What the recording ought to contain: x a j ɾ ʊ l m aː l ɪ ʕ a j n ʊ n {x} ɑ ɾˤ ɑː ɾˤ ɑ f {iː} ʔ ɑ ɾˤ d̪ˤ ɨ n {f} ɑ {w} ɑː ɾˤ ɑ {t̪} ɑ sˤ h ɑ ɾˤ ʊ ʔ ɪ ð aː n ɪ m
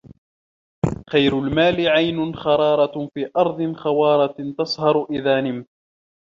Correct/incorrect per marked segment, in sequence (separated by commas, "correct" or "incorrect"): correct, correct, incorrect, correct, correct